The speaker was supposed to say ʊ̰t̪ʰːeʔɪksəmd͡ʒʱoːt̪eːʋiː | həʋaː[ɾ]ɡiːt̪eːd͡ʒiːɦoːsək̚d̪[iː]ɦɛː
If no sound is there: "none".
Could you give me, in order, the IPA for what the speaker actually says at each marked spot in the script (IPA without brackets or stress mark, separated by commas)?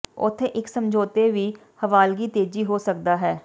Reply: l, aː